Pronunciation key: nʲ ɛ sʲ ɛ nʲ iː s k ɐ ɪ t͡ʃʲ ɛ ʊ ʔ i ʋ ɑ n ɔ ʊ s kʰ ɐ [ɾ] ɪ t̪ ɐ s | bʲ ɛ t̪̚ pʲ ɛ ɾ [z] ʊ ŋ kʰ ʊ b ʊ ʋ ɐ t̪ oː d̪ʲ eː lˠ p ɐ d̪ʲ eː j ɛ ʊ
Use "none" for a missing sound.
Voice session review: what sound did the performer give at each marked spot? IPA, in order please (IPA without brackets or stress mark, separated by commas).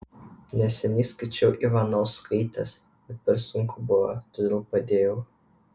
none, s